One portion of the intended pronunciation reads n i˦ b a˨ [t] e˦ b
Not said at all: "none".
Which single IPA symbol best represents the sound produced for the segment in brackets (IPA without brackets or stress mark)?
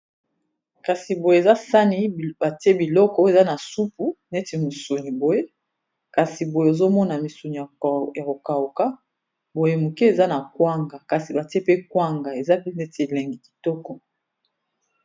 t